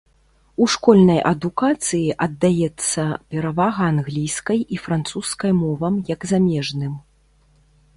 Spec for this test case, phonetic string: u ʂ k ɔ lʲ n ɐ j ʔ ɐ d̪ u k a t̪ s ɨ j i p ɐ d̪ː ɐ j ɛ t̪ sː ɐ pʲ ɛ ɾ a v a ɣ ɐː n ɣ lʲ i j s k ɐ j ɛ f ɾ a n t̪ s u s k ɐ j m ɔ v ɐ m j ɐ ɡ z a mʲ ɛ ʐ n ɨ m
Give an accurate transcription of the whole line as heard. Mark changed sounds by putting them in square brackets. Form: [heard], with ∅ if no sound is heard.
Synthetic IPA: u ʂ k ɔ lʲ n ɐ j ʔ ɐ d̪ u k a t̪ s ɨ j i [ʔ] ɐ d̪ː [a] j ɛ t̪ sː ɐ pʲ ɛ ɾ a v a ɣ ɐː n ɣ lʲ i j s k ɐ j [i] f ɾ a n t̪ s u s k ɐ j m ɔ v ɐ m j ɐ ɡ z a mʲ ɛ ʐ n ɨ m